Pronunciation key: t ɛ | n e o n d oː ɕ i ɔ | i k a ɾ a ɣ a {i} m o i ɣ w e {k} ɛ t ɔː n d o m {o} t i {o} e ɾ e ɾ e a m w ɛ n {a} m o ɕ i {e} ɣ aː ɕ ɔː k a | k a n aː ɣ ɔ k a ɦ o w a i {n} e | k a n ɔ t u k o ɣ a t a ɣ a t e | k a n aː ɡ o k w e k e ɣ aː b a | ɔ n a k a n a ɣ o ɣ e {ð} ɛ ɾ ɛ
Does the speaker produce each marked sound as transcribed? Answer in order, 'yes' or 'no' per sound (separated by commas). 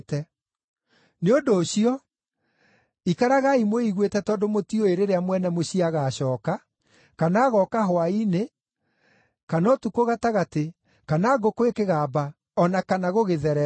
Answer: yes, no, yes, yes, no, no, yes, yes